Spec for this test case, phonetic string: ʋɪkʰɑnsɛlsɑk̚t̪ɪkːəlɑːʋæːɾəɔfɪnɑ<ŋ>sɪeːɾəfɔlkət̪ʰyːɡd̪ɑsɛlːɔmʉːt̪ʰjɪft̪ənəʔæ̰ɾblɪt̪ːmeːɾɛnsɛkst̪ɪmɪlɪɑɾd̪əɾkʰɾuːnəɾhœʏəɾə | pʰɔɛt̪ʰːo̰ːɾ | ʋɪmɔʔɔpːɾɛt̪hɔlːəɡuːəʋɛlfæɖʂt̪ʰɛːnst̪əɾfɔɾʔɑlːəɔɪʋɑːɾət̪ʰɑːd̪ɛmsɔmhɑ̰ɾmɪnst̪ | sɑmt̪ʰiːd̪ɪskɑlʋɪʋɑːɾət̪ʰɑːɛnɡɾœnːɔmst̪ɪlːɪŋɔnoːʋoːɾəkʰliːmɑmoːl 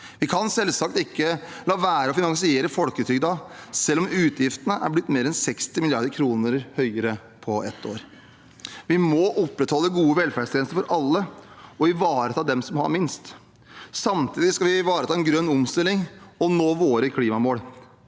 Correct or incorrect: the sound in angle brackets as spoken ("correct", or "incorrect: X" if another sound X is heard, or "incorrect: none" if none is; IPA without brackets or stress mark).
correct